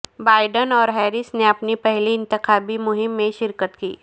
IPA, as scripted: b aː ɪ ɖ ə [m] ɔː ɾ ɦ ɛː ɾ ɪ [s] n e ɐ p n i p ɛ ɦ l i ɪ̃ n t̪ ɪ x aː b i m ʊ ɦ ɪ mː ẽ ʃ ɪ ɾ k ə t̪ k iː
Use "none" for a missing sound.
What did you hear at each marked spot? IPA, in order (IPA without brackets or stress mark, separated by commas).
n, s